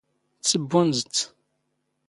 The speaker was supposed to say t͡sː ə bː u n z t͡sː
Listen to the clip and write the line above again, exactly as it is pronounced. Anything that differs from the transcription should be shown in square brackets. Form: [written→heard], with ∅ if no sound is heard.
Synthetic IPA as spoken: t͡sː ə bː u n z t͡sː